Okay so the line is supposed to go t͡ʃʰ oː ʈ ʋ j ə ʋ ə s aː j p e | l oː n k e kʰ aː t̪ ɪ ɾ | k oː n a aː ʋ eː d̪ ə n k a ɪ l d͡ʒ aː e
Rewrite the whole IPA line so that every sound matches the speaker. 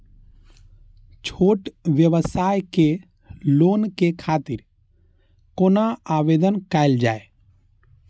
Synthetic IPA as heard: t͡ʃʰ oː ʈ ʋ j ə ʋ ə s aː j k e | l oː n k e kʰ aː t̪ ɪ ɾ | k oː n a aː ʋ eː d̪ ə n k a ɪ l d͡ʒ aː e